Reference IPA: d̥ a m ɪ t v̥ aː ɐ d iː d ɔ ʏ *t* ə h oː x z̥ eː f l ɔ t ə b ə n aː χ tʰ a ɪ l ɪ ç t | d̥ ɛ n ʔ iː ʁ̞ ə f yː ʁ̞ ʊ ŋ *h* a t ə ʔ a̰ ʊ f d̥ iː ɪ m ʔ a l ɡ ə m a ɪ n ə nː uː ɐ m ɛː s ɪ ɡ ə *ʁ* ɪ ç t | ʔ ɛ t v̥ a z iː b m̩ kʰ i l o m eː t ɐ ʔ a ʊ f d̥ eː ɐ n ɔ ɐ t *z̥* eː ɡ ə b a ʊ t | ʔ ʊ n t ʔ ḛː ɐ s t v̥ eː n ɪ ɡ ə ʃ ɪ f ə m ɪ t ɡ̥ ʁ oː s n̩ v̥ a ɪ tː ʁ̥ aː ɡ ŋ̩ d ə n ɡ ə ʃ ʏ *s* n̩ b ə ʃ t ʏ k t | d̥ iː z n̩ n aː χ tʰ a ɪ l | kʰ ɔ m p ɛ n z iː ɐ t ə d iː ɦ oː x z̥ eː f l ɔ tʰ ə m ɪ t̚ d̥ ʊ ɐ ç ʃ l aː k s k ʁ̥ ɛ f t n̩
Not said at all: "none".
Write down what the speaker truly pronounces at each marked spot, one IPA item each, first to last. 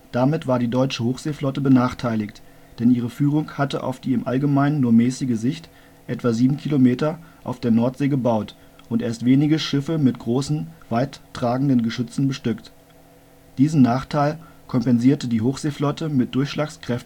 t͡ʃ, h, z, z̥, t͡s

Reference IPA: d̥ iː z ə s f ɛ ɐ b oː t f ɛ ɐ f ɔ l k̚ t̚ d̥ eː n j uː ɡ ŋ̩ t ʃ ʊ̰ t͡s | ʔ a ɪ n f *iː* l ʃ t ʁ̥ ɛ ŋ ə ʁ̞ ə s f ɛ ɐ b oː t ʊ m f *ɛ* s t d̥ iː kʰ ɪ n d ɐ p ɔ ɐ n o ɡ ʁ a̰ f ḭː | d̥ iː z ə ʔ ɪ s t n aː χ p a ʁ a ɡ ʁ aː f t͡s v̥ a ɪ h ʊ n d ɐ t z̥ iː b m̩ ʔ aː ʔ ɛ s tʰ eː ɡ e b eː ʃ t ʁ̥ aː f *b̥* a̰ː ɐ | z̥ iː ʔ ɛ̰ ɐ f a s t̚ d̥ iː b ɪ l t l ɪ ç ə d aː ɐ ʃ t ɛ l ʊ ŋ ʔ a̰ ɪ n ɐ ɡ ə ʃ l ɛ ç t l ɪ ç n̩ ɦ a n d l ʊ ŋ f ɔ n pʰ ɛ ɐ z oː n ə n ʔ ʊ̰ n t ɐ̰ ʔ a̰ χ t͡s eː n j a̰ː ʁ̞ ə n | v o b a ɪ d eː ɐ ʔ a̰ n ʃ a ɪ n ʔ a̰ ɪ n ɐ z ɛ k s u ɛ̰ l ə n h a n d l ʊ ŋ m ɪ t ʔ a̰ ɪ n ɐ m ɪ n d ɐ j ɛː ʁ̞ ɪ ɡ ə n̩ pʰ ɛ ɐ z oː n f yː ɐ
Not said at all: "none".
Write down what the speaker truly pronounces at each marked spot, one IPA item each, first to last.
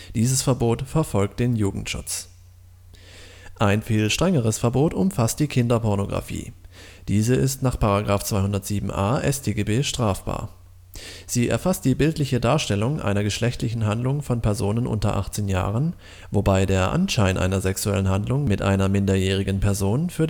iː, a, b̥

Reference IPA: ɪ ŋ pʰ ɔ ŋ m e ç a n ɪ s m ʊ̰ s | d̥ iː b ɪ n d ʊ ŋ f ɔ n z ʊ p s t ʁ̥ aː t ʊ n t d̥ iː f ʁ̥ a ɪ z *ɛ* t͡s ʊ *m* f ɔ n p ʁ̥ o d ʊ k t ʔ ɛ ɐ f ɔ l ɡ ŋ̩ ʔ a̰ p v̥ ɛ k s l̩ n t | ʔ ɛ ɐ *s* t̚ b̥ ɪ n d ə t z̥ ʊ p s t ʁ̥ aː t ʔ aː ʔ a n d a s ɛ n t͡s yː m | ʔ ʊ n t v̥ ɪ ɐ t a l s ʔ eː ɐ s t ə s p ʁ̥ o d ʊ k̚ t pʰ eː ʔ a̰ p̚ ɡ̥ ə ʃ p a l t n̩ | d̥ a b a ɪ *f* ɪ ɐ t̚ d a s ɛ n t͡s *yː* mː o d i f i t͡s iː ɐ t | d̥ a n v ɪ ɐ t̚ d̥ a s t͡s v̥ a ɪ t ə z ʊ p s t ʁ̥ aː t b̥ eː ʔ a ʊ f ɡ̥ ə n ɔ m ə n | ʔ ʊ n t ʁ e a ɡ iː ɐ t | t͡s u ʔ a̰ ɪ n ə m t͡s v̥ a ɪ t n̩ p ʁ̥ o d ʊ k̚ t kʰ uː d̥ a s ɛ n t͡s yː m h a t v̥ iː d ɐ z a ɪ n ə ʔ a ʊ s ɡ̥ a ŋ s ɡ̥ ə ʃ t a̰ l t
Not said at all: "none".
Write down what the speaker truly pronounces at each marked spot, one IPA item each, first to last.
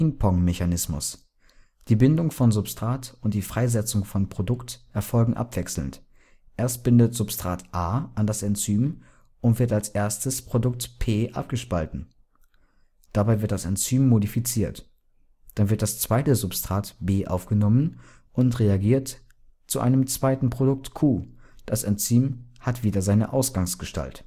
ɛ, ŋ, s, v, yː

